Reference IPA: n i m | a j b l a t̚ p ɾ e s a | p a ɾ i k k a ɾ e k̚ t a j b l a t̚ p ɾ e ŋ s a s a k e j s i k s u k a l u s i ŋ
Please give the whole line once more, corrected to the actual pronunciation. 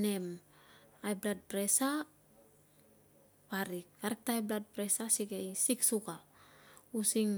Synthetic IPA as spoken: n e m | a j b l a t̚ p ɾ e s a | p a ɾ i k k a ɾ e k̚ t a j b l a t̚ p ɾ e s a s i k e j s i k s u k a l u s i ŋ